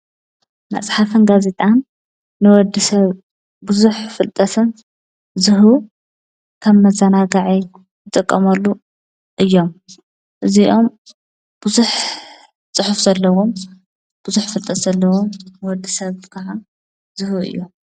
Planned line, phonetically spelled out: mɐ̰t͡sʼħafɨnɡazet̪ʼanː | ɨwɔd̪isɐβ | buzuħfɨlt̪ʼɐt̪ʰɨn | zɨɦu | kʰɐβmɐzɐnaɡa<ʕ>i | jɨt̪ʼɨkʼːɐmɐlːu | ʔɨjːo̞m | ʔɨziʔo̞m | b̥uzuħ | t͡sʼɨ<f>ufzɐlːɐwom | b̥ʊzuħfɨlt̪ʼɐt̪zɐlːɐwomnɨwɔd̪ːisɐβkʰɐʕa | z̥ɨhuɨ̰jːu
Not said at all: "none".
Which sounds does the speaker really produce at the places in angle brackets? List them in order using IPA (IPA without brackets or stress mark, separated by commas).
ʕ, ħ